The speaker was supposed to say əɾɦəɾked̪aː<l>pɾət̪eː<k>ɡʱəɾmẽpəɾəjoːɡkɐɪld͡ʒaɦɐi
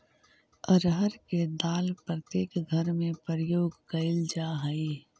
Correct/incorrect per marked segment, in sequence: correct, correct

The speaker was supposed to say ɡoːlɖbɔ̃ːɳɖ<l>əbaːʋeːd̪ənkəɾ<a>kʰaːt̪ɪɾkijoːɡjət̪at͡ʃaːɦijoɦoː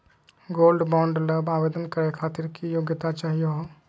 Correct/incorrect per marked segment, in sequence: correct, incorrect: e

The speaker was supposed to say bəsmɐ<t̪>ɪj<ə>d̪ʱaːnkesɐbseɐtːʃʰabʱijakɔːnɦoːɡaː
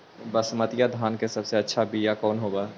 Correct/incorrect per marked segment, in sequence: correct, incorrect: a

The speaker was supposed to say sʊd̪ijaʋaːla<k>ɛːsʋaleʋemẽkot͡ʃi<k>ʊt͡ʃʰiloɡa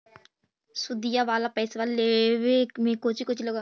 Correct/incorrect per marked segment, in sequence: incorrect: p, correct

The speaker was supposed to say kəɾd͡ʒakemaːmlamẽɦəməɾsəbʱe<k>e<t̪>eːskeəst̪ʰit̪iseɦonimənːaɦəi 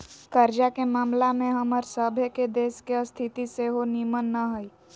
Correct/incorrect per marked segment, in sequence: correct, incorrect: d̪

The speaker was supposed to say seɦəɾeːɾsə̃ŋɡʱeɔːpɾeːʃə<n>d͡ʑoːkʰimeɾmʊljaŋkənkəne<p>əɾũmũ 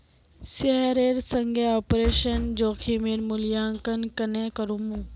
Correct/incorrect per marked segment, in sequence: correct, incorrect: k

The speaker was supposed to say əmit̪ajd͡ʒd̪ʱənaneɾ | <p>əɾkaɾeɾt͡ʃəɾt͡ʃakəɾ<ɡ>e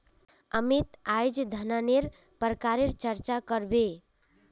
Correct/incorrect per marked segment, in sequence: correct, incorrect: b

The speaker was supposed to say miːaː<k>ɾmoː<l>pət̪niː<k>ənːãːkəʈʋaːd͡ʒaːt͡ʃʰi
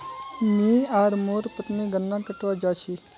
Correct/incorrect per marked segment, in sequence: incorrect: none, incorrect: ɾ, incorrect: ɡ

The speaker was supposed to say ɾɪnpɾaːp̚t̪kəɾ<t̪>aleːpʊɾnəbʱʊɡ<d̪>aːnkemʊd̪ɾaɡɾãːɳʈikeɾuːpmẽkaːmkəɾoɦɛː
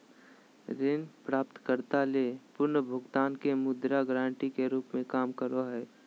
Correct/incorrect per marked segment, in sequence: correct, incorrect: t̪

